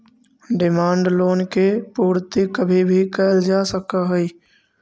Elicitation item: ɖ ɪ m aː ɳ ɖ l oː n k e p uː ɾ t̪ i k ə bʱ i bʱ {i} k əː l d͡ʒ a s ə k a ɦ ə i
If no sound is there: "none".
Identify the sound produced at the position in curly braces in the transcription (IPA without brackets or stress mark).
i